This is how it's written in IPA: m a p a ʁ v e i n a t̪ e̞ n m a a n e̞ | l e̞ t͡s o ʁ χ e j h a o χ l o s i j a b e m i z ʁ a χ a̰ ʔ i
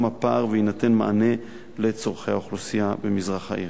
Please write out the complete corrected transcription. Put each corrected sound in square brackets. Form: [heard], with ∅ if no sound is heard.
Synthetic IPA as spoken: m a p a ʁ v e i n a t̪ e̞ n m a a n e̞ | l e̞ t͡s o ʁ χ e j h a o χ l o s i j a b e m i z ʁ a χ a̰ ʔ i